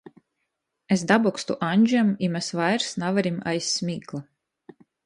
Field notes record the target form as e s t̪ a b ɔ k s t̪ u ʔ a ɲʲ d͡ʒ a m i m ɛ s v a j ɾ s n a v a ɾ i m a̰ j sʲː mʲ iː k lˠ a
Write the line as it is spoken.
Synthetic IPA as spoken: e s d̪ a b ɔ k s t̪ u ʔ a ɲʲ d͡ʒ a m i m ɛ s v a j ɾ s n a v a ɾ i m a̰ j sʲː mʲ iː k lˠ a